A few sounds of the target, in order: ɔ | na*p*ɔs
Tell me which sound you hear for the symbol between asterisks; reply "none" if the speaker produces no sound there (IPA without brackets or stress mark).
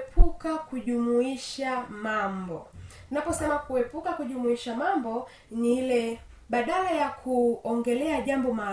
p